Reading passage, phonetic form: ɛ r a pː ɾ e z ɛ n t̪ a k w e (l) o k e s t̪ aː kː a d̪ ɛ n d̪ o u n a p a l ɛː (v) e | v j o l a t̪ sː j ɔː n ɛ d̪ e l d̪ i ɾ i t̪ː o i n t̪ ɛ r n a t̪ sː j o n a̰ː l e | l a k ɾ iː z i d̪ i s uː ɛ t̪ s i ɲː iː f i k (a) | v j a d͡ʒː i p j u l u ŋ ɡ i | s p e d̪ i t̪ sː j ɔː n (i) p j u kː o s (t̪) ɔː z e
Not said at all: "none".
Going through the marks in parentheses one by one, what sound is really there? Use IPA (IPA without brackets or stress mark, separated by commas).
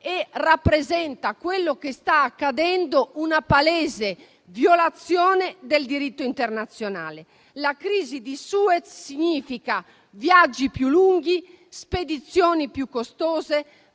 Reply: lː, z, a, i, t̪